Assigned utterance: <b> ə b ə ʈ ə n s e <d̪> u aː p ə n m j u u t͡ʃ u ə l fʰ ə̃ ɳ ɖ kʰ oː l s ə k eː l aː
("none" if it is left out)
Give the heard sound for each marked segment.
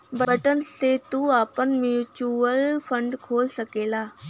b, t̪

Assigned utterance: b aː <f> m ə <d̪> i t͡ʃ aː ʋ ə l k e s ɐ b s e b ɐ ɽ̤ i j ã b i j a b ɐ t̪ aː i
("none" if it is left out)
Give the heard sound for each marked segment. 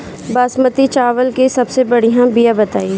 s, t̪

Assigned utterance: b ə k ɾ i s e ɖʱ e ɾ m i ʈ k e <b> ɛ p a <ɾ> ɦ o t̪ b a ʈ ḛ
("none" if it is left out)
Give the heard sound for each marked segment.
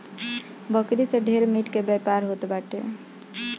b, ɾ

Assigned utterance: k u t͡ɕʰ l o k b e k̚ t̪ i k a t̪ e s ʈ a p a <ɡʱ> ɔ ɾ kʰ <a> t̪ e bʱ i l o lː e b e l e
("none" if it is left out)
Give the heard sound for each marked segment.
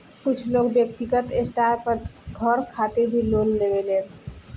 ɡʱ, a

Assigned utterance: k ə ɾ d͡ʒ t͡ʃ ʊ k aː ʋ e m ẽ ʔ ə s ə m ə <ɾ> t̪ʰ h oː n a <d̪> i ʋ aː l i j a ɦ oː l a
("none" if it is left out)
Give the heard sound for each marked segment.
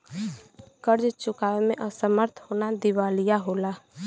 ɾ, d̪

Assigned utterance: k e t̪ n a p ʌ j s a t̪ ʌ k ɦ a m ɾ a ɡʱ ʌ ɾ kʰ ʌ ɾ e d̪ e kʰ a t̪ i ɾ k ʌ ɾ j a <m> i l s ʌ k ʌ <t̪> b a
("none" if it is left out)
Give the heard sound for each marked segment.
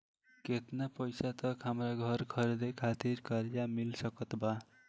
m, t̪

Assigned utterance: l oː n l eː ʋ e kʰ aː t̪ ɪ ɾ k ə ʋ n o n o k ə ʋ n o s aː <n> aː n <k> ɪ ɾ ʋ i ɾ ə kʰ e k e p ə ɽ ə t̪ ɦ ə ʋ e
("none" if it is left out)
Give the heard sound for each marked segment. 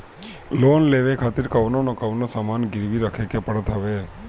m, ɡ

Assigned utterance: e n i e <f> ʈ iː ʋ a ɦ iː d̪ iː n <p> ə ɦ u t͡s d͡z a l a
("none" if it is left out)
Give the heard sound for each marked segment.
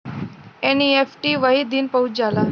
f, p

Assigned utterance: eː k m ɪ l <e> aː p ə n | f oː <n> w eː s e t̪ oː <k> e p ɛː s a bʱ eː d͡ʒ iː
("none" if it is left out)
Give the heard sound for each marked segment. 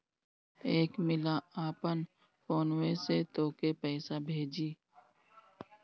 a, n, k

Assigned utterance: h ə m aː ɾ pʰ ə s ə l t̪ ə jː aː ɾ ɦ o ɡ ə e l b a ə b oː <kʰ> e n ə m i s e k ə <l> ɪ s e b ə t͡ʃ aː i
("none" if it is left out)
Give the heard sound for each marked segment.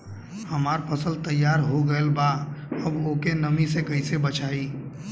k, none

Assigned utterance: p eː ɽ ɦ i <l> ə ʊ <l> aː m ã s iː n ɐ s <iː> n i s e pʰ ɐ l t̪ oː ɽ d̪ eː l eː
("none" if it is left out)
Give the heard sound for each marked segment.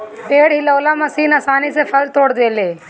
l, l, aː

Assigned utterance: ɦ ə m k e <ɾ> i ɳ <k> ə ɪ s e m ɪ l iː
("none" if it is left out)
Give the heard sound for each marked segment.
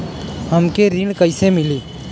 ɾ, k

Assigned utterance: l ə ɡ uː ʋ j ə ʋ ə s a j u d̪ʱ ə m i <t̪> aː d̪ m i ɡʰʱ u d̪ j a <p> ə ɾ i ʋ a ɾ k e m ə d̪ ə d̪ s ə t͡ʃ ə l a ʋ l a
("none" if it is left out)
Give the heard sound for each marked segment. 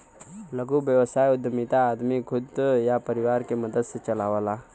t̪, p

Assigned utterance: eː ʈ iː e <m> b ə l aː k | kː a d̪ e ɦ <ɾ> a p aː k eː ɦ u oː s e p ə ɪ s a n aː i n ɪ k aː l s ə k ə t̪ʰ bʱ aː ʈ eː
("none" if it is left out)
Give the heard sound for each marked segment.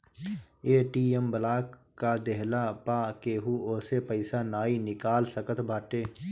m, l

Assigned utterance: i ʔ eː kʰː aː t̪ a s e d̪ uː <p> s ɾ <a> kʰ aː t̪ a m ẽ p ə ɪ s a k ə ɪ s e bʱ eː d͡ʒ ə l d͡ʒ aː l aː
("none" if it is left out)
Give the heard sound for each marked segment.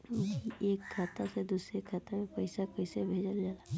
none, e

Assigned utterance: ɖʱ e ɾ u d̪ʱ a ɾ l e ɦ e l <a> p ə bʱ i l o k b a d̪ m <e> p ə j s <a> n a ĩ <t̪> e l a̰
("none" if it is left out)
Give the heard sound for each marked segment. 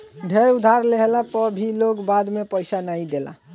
a, e, a, d̪

